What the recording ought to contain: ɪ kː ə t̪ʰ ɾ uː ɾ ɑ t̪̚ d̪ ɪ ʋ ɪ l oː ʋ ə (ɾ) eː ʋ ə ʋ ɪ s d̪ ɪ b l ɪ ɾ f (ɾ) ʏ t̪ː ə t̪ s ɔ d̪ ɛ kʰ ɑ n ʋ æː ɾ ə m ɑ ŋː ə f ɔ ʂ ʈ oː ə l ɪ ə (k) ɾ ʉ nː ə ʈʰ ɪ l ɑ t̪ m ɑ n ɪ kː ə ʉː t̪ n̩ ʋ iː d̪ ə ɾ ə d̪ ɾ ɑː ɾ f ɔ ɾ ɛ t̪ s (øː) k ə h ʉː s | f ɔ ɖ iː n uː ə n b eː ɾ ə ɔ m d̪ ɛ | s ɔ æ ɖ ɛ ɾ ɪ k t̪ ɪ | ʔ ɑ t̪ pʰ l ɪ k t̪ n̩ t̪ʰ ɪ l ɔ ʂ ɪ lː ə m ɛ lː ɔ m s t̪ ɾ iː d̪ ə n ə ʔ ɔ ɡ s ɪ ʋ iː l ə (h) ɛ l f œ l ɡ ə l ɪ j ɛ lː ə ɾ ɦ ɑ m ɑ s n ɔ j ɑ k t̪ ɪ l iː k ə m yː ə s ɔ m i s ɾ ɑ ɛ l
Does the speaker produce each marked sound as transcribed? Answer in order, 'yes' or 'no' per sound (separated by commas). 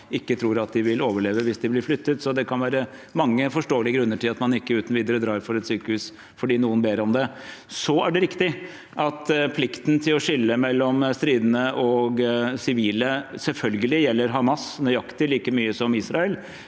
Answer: no, no, no, no, no